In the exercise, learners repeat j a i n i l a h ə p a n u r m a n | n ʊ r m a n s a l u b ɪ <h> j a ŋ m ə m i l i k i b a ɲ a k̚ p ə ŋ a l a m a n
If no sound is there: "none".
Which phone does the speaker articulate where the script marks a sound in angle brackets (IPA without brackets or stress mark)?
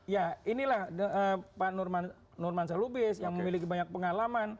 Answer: s